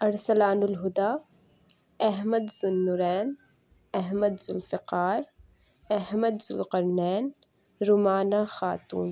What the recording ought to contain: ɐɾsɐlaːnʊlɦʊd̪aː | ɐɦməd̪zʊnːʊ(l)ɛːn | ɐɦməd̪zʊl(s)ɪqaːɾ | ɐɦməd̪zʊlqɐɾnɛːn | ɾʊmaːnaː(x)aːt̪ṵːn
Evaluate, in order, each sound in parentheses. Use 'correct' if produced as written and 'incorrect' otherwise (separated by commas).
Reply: incorrect, incorrect, correct